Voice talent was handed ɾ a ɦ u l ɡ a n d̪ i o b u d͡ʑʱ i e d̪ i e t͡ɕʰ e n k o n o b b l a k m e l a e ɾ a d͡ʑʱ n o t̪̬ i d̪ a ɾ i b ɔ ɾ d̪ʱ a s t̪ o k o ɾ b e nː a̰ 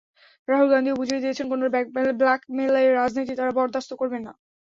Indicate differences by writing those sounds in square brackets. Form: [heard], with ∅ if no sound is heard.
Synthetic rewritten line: ɾ a ɦ u l ɡ a n d̪ i o b u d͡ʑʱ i e d̪ i e t͡ɕʰ e n k o n o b b l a k m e l a e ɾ a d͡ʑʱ n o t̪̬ i [t̪] a ɾ [a] b ɔ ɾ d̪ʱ a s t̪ o k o ɾ b e nː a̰